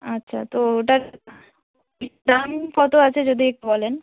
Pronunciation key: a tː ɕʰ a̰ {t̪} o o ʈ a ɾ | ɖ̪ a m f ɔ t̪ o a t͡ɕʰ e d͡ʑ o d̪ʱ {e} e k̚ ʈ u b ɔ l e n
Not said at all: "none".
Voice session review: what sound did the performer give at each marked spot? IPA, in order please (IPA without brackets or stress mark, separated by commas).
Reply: t̪, i